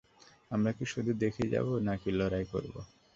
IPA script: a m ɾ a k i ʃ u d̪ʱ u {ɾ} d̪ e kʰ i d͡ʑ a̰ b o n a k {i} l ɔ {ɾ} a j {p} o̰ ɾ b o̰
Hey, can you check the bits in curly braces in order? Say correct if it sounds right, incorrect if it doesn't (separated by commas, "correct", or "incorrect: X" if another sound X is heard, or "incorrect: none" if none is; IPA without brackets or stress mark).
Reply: incorrect: none, correct, correct, incorrect: k